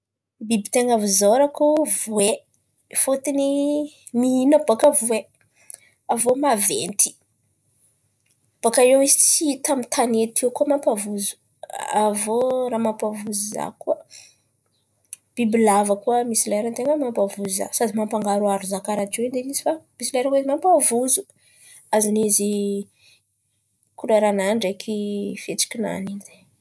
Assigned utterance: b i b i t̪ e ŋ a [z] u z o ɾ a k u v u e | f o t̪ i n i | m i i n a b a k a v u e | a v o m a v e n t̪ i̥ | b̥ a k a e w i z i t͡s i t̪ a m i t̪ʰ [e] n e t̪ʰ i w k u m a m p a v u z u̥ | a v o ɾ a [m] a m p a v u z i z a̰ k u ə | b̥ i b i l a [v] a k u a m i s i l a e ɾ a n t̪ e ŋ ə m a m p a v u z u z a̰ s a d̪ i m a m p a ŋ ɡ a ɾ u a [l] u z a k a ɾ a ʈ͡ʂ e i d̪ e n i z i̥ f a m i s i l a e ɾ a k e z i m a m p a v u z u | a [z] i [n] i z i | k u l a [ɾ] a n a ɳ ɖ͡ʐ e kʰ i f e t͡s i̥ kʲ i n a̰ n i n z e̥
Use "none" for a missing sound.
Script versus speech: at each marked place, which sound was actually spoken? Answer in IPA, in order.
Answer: v, a, m, v, ɾ, z, n, ɾ

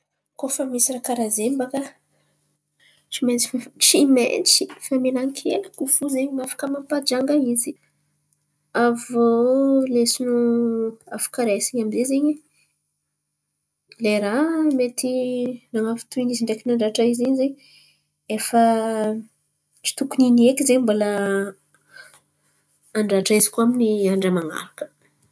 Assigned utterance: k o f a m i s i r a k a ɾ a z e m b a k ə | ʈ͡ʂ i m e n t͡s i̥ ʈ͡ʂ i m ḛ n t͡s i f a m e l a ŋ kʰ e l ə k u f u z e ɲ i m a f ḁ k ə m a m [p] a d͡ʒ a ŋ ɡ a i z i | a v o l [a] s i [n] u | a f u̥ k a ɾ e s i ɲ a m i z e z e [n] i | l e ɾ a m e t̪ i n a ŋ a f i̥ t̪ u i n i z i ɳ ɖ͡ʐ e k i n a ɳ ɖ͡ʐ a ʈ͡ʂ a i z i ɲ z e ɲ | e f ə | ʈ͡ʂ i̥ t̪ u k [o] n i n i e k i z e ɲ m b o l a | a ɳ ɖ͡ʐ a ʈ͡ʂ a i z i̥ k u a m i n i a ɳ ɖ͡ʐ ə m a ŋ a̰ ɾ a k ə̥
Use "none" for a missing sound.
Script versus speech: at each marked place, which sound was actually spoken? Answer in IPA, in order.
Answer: p, e, n, ɲ, u

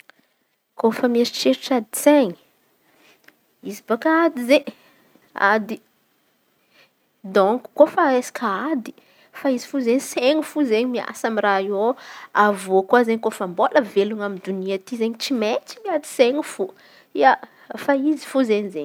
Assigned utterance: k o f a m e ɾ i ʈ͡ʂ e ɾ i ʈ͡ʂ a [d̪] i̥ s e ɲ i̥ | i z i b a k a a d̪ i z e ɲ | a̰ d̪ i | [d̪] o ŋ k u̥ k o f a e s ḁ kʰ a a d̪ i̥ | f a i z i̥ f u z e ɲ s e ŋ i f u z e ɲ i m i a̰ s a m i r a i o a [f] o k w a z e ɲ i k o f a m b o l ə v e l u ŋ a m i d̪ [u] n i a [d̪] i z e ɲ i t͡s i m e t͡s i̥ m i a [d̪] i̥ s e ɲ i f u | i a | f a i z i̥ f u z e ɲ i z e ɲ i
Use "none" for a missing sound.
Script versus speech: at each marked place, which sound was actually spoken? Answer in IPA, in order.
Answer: d̪, d̪, v, u, t̪, d̪

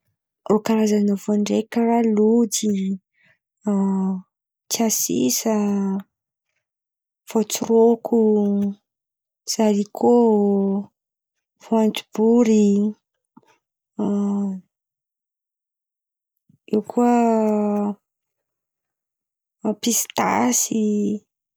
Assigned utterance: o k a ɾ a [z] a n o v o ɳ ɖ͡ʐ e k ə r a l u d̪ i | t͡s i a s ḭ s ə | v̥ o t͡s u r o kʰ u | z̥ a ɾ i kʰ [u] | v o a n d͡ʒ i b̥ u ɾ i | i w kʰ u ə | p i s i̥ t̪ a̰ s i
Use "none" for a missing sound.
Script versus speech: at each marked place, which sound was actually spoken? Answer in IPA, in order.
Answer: z, o

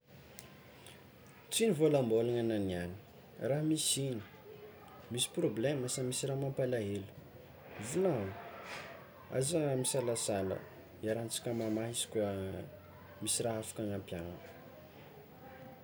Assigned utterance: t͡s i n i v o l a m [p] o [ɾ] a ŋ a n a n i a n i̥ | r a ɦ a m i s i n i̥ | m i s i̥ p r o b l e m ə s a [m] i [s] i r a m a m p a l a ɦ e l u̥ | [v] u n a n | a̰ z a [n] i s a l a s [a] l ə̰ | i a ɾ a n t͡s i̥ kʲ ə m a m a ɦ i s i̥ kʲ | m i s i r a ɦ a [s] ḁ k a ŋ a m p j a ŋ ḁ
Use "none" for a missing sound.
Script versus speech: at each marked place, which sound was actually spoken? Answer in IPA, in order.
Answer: b, l, m, s, v, m, a, f

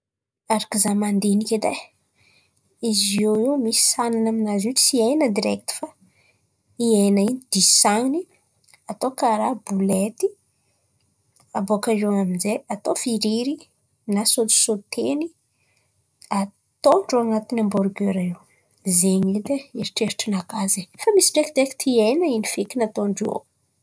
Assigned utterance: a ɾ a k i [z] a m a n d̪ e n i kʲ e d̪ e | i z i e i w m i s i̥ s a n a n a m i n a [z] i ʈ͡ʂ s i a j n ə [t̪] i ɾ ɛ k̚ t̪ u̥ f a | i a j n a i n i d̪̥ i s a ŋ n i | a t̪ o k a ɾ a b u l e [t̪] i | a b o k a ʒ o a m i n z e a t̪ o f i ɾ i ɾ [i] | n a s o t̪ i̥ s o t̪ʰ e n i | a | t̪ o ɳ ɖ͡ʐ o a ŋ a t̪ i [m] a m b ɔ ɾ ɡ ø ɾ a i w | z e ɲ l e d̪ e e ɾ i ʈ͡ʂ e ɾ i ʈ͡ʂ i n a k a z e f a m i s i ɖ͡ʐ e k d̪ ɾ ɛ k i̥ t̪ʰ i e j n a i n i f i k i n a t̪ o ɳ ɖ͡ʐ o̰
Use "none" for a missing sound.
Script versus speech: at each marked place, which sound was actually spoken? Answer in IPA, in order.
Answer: z, z, d̪, t̪, i, n

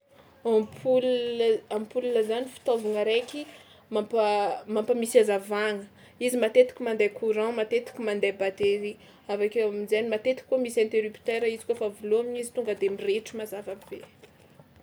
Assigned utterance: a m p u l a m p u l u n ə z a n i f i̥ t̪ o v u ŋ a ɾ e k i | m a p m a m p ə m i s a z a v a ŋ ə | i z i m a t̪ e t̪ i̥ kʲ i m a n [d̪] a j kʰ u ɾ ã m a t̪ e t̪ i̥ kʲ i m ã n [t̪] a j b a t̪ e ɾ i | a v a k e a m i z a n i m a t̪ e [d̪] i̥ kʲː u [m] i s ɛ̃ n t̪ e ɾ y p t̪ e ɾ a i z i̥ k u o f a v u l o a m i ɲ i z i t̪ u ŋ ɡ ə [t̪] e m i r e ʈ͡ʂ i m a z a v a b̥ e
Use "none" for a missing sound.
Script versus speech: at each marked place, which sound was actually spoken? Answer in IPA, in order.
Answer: d̪, d̪, t̪, m, d̪

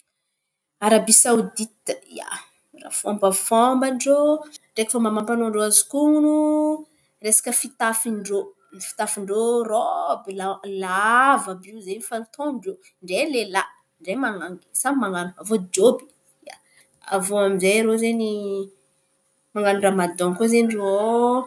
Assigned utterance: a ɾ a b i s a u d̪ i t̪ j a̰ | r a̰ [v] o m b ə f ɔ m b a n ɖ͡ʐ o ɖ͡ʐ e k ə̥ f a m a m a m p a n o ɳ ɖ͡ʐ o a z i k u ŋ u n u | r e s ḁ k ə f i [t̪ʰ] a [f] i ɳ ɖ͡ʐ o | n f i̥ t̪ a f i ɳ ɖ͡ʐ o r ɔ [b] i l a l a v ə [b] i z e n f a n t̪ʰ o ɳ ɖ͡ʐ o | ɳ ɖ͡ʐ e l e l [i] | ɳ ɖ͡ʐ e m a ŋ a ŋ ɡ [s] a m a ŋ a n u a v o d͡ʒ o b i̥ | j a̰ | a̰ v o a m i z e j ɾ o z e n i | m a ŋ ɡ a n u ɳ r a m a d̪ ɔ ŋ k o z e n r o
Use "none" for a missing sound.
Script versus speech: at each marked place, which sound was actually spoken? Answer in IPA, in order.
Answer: f, t̪, f, b, b, a, s

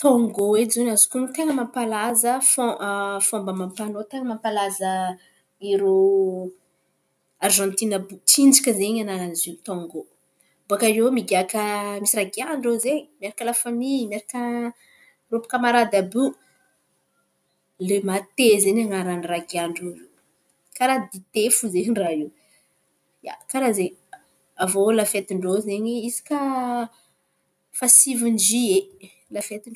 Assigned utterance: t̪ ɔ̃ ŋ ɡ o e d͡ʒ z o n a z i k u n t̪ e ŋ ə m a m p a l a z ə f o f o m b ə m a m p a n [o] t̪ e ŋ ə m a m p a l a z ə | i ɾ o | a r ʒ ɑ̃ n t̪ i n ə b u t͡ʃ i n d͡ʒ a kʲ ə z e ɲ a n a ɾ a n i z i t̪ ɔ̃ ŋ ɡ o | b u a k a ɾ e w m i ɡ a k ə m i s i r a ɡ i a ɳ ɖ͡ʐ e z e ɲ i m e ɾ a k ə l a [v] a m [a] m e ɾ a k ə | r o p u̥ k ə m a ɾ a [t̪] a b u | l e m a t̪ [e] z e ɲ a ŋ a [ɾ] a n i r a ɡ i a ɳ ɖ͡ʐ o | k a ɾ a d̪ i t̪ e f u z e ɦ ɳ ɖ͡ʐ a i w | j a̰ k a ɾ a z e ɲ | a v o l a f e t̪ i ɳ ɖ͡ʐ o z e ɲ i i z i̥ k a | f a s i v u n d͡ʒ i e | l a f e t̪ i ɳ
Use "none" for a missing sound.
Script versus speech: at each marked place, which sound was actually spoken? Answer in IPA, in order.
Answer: o, f, i, d̪, e, ɾ

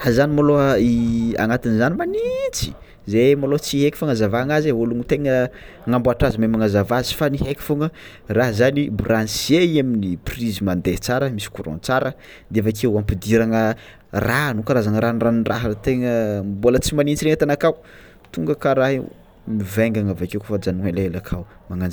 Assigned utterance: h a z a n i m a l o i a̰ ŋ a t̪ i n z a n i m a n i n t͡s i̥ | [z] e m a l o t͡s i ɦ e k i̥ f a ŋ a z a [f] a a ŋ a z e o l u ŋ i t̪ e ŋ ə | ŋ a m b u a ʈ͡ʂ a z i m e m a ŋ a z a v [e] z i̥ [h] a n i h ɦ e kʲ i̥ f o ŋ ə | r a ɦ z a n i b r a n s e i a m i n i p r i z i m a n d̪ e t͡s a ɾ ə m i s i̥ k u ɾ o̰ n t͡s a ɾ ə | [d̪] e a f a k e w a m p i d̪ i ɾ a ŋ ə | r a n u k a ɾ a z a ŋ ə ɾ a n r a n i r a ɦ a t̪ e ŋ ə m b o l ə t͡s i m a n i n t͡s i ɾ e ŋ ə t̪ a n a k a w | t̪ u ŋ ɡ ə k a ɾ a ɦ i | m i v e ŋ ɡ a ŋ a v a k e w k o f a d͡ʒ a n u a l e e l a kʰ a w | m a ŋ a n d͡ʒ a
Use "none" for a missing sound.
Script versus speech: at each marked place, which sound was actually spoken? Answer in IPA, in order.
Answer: z, v, a, f, d̪

